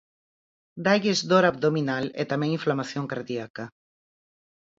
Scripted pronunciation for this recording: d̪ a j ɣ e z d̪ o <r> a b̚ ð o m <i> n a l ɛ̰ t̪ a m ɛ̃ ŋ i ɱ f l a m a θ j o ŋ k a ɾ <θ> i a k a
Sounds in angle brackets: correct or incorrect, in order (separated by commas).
incorrect, correct, incorrect